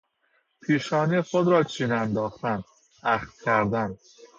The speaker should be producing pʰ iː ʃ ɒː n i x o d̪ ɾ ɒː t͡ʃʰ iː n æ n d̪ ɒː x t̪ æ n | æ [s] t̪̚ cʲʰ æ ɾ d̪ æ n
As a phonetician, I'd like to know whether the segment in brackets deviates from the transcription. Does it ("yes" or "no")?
yes